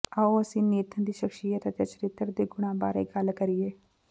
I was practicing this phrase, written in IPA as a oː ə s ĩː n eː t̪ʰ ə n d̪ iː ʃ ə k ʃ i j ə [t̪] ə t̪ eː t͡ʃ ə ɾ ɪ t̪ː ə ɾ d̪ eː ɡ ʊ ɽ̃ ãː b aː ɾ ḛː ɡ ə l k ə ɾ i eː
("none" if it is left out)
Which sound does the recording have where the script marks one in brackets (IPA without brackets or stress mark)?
t̪